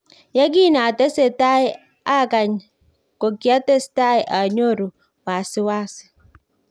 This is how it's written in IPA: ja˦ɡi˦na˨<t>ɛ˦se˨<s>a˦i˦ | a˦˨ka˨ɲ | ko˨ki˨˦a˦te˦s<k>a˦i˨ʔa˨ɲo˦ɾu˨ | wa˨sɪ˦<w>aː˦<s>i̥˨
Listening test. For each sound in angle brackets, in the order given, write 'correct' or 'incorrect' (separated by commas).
correct, incorrect, incorrect, correct, correct